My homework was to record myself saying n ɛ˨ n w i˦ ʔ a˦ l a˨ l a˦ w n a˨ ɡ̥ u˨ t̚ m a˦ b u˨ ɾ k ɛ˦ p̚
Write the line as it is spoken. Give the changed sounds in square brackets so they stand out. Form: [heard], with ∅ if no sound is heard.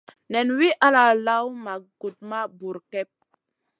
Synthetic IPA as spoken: n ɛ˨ n w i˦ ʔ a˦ l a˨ l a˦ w [m] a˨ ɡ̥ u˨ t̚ m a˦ b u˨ ɾ k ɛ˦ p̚